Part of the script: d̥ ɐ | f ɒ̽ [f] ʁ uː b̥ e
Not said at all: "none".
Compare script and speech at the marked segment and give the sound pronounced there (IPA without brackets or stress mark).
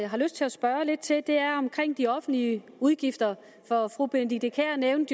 f